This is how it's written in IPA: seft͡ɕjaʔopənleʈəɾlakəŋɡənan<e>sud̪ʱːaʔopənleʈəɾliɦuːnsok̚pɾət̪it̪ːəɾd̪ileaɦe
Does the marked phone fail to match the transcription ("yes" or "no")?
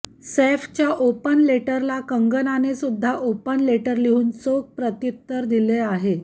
no